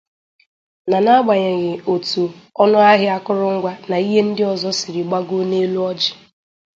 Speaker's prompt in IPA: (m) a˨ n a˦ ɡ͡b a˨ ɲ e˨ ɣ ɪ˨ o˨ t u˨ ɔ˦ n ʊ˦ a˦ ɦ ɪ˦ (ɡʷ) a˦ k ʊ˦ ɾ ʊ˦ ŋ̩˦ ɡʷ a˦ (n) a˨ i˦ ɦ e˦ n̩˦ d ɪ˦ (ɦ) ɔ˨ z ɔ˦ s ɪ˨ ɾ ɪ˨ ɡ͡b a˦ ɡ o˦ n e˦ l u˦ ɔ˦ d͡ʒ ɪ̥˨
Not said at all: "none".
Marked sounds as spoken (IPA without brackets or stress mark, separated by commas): n, none, n, none